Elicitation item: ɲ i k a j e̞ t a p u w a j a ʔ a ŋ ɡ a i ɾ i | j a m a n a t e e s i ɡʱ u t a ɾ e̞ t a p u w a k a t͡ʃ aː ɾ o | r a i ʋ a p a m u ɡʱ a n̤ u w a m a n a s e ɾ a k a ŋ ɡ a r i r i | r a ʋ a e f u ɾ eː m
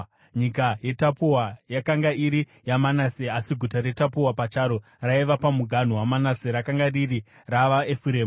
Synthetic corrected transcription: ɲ i k a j e̞ t a p u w a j a k a ŋ ɡ a i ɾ i | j a m a n a s e a s i ɡʱ u t a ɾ e̞ t a p u w a p a t͡ʃ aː ɾ o | r a i ʋ a p a m u ɡʱ a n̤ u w a m a n a s e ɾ a k a ŋ ɡ a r i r i | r a ʋ a e f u ɾ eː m